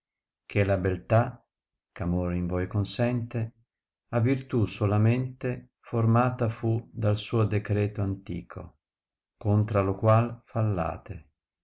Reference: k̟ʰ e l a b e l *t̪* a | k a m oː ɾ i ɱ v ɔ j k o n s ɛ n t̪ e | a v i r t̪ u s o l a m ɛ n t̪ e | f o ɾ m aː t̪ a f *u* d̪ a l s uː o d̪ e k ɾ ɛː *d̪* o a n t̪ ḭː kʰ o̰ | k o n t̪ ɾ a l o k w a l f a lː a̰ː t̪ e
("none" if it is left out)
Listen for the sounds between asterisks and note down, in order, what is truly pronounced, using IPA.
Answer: t̪, u, t̪

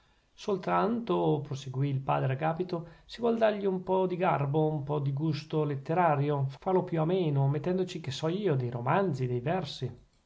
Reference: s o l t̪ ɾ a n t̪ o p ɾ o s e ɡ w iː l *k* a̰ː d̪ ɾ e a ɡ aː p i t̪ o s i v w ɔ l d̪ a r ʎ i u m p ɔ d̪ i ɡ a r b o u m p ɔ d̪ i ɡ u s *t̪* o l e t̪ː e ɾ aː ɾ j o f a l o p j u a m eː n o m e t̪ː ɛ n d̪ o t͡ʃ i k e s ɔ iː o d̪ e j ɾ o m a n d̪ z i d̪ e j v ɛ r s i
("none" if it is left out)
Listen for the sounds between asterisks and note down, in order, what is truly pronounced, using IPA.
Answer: p, t̪

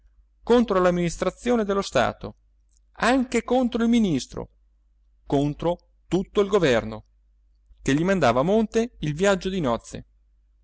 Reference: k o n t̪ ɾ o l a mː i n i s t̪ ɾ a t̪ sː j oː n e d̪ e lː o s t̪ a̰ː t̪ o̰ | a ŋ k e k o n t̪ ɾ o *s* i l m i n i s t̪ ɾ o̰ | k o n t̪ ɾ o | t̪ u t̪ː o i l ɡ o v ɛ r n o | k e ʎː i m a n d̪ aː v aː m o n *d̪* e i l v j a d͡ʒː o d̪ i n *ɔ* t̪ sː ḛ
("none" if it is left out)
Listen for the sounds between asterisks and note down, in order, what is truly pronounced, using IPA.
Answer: none, t̪, ɔ

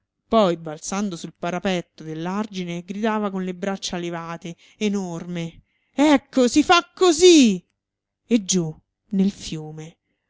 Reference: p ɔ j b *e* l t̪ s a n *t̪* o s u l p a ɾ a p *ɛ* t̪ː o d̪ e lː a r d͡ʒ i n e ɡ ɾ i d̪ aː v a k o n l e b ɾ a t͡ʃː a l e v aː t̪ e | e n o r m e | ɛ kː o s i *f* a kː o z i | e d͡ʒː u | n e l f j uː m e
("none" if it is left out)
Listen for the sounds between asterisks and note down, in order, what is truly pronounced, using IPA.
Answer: a, d̪, ɛ, f

